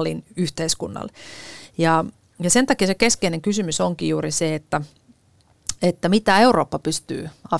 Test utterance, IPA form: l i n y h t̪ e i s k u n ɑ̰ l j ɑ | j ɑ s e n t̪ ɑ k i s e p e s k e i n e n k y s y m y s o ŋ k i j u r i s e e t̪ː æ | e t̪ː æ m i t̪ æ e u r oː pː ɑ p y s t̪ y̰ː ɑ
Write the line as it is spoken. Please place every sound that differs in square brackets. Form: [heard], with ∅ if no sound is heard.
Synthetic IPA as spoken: l i n y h t̪ e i s k u [nː] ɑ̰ l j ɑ | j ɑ s e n t̪ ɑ k i s e [k] e s k e i n e [ŋ] k y s y m y s o ŋ k i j [uː] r i s e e t̪ː æ | e t̪ː æ m i t̪ æ e u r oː pː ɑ p y s t̪ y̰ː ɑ